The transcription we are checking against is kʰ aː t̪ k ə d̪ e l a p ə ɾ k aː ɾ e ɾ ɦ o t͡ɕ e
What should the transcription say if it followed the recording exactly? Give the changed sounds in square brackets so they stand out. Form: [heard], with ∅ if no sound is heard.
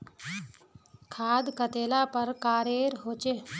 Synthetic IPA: kʰ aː [d̪] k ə [t̪] e l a p ə ɾ k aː ɾ e ɾ ɦ o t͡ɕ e